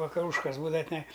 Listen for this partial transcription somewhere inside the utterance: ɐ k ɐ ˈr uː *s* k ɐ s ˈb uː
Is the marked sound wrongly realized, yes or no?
yes